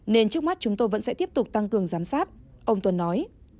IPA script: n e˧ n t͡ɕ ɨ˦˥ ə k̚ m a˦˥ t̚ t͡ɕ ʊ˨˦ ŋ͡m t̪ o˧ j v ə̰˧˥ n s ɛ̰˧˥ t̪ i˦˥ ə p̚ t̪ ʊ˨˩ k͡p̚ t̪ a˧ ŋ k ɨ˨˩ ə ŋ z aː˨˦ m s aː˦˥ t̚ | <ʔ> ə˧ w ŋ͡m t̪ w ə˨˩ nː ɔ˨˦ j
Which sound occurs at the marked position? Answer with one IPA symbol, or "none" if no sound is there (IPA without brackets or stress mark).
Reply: ʔ